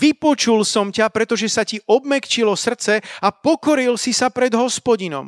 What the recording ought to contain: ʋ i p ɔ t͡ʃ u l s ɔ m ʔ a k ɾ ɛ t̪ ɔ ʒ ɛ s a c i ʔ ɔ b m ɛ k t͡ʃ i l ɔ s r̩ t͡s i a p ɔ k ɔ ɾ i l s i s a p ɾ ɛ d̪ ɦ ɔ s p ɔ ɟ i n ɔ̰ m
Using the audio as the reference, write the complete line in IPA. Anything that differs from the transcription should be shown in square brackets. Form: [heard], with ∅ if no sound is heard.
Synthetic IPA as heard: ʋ i p ɔ t͡ʃ u l s ɔ m [c] a [p] ɾ ɛ t̪ ɔ ʒ ɛ s a c i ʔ ɔ b m ɛ k t͡ʃ i l ɔ s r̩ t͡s [ɛ] a p ɔ k ɔ ɾ i l s i s a p ɾ ɛ d̪ ɦ ɔ s p ɔ ɟ i n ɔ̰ m